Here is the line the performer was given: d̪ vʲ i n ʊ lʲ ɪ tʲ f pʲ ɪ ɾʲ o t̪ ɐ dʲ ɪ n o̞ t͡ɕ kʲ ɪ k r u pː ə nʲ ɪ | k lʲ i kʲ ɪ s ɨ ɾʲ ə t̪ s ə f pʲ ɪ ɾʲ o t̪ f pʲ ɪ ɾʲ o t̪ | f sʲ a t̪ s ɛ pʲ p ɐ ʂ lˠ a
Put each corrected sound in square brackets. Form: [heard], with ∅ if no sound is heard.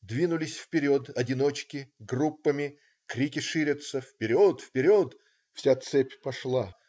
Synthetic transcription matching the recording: d̪ vʲ i n ʊ lʲ ɪ [sʲ] f pʲ ɪ ɾʲ o t̪ ɐ dʲ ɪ n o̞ t͡ɕ kʲ ɪ [ɡ] r u pː ə [mʲ] ɪ | k [ɾʲ] i kʲ ɪ [ʂ] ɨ ɾʲ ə t̪ s ə f pʲ ɪ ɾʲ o t̪ f pʲ ɪ ɾʲ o t̪ | f sʲ a t̪ s ɛ pʲ p ɐ ʂ lˠ a